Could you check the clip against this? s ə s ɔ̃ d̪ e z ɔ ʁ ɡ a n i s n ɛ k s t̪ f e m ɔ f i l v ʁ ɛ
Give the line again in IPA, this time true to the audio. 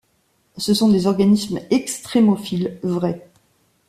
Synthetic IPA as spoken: s ə s ɔ̃ d̪ e z ɔ ʁ ɡ a n i s m ɛ k s t̪ χ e m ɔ f i l v ʁ ɛ